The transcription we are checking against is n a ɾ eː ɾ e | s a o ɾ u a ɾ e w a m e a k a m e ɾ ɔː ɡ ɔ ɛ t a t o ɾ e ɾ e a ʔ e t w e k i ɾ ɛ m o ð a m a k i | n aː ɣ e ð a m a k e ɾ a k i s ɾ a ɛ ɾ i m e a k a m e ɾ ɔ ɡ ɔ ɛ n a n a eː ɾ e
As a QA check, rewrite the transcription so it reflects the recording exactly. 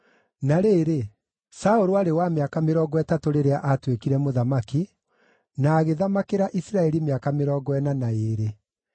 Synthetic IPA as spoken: n a ɾ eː ɾ e | s a o ɾ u a ɾ e w a m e a k a m e ɾ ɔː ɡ ɔ ɛ t a t o ɾ e ɾ e a ʔ a t w e k i ɾ ɛ m o ð a m a k i | n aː ɣ e ð a m a k e ɾ a ʔ i s ɾ a ɛ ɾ i m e a k a m e ɾ ɔ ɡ ɔ ɛ n a n a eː ɾ e